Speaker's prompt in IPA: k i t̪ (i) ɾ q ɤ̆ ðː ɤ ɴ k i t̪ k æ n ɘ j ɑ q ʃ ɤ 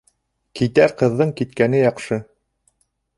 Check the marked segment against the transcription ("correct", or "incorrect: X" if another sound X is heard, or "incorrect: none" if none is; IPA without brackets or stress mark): incorrect: æ